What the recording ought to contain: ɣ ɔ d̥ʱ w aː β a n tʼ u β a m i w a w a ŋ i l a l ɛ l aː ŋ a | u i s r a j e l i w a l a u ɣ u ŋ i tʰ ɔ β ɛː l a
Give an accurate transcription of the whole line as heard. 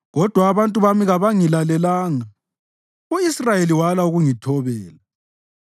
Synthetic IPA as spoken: ɣ ɔ d̥ʱ w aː β a n tʼ u β a m i ɣ a β a ŋ i l a l ɛ l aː ŋ a | u i s r a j e l i w a l a u ɣ u ŋ i tʰ ɔ β ɛː l a